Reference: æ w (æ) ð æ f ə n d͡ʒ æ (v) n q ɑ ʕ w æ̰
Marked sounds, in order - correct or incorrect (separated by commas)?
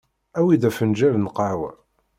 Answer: incorrect, correct